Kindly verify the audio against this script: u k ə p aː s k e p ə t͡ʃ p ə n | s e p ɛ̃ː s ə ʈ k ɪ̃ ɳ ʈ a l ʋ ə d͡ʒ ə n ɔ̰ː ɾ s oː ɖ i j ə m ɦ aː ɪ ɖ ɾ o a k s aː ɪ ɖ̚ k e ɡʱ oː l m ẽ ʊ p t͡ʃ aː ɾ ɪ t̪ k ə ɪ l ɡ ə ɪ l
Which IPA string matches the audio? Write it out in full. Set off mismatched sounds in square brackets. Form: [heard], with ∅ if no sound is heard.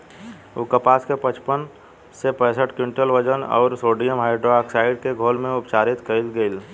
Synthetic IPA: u k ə p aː s k e p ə t͡ʃ p ə n | s e p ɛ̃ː s ə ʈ k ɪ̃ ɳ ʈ [ə] l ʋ ə d͡ʒ ə n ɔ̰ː ɾ s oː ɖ i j ə m ɦ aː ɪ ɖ ɾ o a k s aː ɪ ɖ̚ k e ɡʱ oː l m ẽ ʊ p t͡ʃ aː ɾ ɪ t̪ k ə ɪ l ɡ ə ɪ l